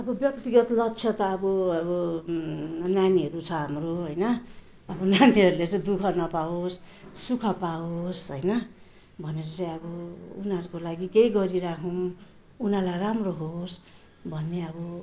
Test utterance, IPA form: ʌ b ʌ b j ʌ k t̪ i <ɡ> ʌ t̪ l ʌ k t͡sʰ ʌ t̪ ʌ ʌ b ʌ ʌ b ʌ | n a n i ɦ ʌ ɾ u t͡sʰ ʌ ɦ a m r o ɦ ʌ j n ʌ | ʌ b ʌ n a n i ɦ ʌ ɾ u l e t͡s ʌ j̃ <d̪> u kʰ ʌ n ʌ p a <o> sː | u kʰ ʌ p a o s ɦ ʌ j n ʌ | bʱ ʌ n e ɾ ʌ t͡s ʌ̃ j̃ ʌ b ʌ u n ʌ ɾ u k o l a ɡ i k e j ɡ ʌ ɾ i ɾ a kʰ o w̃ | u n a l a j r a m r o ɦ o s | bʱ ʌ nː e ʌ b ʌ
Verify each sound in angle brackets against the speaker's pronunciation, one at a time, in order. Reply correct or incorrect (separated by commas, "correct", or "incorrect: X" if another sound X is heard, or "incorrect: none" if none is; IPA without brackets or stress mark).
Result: correct, correct, correct